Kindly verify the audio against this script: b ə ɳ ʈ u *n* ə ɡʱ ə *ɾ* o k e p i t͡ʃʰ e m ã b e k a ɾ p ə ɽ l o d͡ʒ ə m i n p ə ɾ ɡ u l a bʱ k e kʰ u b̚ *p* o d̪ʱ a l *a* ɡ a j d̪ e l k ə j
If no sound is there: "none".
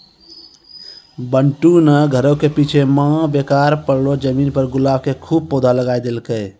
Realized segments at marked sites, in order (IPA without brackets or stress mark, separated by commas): n, ɾ, p, ə